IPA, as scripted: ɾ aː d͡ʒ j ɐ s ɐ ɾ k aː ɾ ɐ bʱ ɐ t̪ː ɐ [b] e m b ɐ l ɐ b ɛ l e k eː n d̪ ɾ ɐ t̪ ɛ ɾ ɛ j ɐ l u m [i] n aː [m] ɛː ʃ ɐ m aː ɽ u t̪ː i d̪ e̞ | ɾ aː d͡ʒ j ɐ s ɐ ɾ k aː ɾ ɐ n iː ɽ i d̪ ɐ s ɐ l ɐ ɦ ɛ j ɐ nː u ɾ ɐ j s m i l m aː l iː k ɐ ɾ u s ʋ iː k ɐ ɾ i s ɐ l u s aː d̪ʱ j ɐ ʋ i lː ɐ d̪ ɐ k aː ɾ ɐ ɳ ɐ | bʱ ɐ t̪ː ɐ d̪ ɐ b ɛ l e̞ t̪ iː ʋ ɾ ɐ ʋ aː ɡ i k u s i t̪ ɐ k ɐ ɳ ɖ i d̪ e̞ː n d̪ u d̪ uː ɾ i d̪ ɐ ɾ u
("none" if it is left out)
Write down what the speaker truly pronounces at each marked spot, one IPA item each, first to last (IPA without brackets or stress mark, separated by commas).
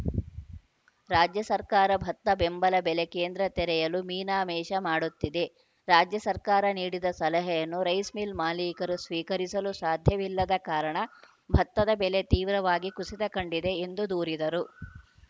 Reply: b, iː, m